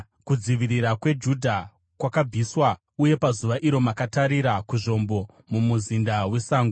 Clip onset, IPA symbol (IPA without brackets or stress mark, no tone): k